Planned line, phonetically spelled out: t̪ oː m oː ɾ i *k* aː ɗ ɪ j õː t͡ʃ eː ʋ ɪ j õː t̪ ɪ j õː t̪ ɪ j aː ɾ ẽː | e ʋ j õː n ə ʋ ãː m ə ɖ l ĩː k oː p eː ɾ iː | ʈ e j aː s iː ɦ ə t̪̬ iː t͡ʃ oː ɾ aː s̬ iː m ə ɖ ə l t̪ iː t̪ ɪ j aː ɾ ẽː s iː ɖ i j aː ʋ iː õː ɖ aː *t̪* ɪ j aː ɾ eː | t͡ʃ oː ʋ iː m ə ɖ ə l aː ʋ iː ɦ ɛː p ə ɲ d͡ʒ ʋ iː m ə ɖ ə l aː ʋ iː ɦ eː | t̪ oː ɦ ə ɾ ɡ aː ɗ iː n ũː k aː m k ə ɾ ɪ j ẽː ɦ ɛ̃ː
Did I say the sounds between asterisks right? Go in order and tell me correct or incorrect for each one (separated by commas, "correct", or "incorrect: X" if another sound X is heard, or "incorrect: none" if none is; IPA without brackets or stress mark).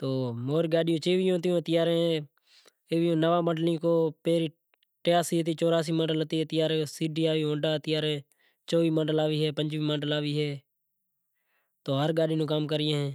incorrect: ɡ, correct